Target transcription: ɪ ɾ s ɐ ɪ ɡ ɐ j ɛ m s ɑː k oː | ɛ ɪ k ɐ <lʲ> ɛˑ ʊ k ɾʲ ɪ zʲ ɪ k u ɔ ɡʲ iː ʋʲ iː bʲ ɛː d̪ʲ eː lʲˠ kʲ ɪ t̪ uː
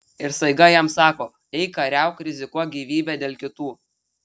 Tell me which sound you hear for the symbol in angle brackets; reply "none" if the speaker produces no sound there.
ɾʲ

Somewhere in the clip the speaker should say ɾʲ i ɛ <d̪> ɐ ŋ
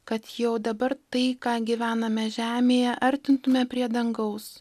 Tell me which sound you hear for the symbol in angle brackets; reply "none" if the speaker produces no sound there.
d̪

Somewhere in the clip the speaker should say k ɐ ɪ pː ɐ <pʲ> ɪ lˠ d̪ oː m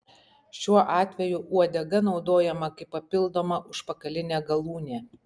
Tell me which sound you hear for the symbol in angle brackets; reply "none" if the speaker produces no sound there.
pʲ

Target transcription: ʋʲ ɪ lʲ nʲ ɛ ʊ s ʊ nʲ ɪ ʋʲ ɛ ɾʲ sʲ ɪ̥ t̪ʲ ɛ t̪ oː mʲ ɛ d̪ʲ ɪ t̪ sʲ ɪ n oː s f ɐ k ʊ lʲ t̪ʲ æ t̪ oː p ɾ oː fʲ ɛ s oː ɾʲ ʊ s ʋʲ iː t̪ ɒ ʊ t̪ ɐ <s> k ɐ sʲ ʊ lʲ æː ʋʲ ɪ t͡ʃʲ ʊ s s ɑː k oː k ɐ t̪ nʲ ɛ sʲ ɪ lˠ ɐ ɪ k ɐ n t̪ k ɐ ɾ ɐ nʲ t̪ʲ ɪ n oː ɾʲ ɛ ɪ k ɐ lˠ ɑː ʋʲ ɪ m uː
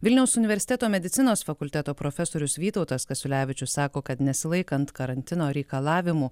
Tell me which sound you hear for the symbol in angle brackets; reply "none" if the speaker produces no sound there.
s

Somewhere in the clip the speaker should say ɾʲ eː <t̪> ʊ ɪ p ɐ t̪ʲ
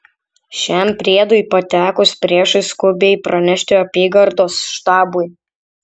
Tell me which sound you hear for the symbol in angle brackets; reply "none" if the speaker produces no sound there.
d̪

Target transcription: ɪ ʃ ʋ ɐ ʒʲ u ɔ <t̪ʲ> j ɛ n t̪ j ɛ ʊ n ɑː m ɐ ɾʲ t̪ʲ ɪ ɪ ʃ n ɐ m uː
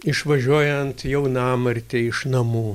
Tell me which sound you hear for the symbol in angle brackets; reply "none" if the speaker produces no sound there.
none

